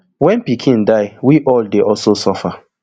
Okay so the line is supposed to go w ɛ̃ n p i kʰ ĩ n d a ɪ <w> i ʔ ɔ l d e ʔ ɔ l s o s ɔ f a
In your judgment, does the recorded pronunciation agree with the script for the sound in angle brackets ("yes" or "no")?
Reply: yes